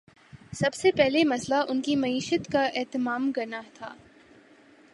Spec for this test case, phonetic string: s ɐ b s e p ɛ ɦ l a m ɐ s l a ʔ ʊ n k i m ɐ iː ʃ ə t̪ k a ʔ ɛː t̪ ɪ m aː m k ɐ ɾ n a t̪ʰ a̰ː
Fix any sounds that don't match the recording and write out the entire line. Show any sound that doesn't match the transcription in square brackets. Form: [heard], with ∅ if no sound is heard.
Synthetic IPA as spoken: s ɐ b s e p ɛ ɦ l [e] m ɐ s l a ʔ ʊ n k i m ɐ iː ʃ ə t̪ k a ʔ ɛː t̪ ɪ m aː m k ɐ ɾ n a t̪ʰ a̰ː